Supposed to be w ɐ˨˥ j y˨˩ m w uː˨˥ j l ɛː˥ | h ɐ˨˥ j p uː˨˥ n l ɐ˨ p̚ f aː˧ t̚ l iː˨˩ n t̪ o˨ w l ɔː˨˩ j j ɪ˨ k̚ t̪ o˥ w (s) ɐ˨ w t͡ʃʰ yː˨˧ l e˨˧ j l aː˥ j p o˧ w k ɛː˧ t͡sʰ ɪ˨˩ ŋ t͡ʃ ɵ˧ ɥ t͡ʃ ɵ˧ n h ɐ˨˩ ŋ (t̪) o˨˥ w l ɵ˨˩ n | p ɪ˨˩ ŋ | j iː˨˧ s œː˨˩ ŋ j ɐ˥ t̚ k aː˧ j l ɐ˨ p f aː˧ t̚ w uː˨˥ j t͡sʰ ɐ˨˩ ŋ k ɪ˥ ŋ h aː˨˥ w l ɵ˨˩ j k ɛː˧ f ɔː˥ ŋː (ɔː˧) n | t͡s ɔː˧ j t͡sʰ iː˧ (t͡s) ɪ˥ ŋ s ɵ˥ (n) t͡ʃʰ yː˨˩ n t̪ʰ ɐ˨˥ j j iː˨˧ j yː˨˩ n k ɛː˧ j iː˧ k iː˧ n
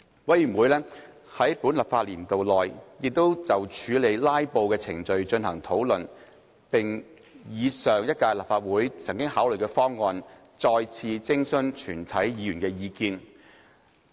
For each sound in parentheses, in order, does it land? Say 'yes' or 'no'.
no, no, yes, yes, yes

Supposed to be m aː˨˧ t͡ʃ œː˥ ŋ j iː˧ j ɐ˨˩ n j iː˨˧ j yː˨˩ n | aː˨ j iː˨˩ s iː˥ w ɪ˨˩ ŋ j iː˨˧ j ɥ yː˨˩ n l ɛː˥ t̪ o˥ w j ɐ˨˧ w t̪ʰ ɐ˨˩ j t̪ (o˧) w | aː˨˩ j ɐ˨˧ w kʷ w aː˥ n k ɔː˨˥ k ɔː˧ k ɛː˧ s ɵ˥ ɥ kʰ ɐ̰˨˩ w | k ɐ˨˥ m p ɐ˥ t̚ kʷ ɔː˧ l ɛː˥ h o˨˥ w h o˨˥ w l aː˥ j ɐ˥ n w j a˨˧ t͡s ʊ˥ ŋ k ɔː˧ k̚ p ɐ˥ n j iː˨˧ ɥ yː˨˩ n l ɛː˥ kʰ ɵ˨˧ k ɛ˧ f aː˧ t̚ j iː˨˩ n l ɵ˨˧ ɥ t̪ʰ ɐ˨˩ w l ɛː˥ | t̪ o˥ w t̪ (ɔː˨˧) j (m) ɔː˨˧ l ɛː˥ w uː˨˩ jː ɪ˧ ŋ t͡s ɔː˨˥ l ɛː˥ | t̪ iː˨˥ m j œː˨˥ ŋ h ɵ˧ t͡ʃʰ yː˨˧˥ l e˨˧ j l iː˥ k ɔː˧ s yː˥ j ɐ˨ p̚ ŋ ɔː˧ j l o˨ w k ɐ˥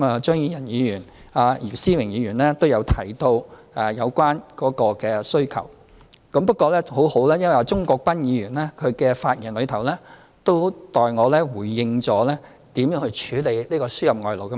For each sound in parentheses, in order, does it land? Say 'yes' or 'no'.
yes, yes, no

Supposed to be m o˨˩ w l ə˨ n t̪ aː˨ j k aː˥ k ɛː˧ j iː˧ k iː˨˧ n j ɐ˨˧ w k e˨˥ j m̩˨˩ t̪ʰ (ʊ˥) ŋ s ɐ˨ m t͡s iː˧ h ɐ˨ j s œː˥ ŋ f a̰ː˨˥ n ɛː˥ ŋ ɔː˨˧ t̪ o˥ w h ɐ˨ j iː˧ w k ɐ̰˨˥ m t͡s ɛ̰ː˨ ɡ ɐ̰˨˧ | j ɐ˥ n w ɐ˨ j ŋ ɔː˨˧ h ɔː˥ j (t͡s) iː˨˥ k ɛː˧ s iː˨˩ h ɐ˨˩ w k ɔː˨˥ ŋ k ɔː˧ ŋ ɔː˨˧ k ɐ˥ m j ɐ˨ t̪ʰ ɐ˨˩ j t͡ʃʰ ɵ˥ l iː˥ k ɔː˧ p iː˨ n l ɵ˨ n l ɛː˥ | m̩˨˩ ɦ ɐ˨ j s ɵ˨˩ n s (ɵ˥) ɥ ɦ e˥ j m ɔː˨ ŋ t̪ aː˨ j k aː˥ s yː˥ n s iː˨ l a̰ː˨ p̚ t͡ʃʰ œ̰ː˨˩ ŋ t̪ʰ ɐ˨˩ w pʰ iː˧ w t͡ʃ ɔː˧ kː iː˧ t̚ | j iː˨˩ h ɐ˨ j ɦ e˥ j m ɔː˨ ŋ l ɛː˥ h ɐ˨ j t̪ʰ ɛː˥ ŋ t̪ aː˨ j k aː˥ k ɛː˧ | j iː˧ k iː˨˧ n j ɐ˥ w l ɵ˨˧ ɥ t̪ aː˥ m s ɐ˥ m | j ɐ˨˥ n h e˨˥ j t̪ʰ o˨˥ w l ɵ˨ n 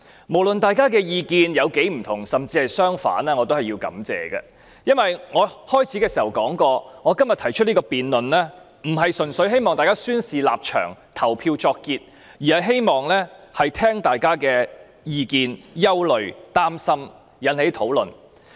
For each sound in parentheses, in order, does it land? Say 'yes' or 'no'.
no, no, no

